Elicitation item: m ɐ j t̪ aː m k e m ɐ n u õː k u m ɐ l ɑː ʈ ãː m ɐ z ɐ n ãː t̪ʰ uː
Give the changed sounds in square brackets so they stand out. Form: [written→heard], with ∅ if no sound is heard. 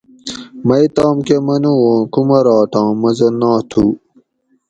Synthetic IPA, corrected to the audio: m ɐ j t̪ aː m k e m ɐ n u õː k u m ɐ [l→ɾ] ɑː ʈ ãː m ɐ z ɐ n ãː t̪ʰ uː